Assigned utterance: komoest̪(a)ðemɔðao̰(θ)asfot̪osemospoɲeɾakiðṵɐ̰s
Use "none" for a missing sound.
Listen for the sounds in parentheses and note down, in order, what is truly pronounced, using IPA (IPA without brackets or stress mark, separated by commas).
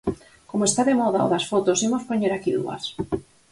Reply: a, ð